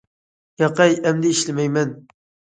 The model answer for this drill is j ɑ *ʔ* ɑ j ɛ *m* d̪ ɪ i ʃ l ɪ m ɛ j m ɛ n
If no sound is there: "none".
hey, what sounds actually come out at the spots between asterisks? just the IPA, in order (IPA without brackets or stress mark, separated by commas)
q, m